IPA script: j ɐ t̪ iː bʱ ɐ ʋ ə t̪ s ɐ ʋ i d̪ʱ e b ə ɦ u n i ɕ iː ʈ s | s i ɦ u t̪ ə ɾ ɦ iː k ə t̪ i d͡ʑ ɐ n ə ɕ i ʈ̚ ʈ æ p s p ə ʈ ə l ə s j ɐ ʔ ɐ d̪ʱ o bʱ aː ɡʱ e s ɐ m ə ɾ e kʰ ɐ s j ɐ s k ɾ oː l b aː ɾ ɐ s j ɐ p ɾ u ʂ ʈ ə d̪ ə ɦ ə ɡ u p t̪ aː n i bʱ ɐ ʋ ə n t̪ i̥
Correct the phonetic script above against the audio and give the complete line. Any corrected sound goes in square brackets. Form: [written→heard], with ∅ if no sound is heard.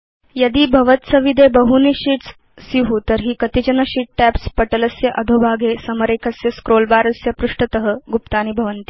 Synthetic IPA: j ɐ [t̪→d̪] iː bʱ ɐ ʋ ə t̪ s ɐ ʋ i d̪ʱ e b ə ɦ u n i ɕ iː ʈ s | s i ɦ u t̪ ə ɾ ɦ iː k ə t̪ i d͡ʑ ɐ n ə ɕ i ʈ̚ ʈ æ p s p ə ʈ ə l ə s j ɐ ʔ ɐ d̪ʱ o bʱ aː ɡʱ e s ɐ m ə ɾ e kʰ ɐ s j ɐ s k ɾ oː l b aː ɾ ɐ s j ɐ p ɾ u ʂ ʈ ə [d̪→t̪] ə ɦ ə ɡ u p t̪ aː n i bʱ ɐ ʋ ə n t̪ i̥